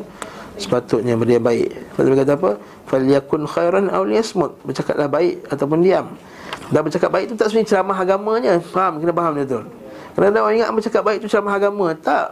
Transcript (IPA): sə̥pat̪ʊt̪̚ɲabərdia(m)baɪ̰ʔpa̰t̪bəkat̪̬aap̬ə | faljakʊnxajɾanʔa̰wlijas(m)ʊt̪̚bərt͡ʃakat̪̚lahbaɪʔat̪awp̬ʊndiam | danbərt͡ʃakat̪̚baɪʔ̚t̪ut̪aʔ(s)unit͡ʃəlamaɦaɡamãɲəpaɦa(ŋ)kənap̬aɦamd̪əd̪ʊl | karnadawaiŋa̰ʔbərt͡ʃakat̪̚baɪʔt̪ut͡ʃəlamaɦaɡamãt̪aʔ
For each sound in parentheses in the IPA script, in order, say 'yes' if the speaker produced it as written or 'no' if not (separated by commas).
yes, yes, yes, no